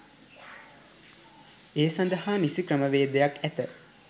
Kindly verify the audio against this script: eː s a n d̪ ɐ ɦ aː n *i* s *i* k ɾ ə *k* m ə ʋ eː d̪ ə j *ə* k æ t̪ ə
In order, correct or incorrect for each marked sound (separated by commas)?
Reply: correct, correct, incorrect, incorrect